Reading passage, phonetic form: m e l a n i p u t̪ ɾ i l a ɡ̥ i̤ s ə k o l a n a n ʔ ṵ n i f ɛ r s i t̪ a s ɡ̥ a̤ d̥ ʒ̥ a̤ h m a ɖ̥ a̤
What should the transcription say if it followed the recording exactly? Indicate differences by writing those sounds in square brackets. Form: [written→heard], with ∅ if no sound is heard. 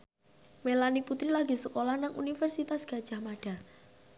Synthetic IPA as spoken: m e l a n i p u t̪ ɾ i l a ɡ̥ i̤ s ə k o l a n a [n→ŋ] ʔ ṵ n i f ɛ r s i t̪ a s ɡ̥ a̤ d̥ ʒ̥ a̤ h m a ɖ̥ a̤